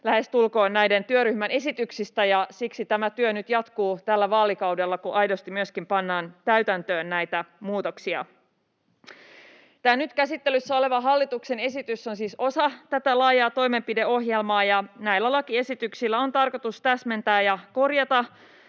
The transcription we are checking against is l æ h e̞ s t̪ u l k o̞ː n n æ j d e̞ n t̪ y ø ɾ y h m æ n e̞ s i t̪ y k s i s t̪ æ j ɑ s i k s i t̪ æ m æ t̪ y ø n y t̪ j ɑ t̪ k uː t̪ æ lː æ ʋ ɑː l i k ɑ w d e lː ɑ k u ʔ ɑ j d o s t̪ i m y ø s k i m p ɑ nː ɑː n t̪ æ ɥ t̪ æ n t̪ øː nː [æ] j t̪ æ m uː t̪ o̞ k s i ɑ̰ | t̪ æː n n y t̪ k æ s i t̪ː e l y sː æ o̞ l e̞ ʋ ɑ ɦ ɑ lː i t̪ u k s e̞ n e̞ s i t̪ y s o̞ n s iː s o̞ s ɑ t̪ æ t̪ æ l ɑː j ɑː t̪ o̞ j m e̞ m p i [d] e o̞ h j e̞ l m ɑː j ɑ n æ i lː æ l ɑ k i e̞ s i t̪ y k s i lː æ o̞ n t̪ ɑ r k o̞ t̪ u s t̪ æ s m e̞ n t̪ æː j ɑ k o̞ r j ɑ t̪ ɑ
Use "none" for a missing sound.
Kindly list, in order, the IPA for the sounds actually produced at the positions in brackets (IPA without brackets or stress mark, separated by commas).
æ, d